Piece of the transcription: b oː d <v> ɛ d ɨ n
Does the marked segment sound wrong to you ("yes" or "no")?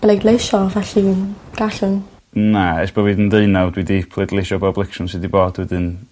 yes